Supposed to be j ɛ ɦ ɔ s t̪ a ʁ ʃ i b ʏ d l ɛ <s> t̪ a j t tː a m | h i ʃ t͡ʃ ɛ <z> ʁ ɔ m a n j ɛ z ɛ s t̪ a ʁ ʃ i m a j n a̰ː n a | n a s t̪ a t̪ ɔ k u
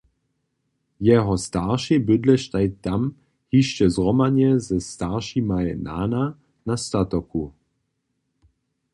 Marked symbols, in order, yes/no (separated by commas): no, yes